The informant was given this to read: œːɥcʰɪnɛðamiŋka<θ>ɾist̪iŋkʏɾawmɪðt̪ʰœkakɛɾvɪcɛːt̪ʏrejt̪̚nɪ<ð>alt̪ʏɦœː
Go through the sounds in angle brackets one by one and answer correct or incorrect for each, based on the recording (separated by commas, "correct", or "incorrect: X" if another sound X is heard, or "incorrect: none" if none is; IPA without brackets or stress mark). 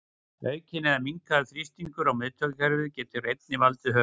correct, incorrect: v